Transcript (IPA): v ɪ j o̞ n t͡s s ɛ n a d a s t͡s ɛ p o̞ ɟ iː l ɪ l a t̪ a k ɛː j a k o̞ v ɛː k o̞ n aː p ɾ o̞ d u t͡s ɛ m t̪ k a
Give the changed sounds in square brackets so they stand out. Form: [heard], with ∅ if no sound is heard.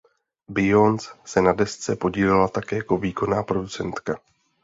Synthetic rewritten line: [b] ɪ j o̞ n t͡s s ɛ n a d [ɛ] s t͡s ɛ p o̞ ɟ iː l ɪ l a t̪ a k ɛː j a k o̞ v [iː] k o̞ n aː p ɾ o̞ d u t͡s ɛ [n] t̪ k a